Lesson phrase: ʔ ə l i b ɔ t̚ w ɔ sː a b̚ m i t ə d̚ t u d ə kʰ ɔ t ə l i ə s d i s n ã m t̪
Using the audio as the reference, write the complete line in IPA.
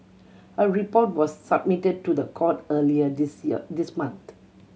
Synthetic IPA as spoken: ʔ ə ɹ i p ɔ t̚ w ɔ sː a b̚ m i t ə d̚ t u d ə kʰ ɔ t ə l i ə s d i s m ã n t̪